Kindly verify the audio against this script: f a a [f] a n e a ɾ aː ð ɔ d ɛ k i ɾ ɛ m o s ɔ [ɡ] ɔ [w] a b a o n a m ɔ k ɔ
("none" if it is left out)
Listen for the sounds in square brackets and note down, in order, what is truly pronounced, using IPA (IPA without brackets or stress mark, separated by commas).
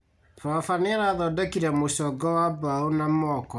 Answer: f, ɡ, w